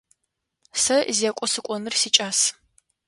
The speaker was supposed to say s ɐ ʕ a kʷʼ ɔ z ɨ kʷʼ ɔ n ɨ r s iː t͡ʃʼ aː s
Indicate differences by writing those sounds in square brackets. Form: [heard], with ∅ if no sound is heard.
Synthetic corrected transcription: s ɐ [z] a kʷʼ ɔ [s] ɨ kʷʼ ɔ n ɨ r s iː t͡ʃʼ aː s